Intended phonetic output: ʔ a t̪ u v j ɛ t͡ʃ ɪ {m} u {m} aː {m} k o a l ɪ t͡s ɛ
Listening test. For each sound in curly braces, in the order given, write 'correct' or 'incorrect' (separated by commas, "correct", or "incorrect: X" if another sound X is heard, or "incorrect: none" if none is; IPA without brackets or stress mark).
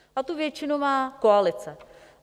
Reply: incorrect: n, correct, incorrect: none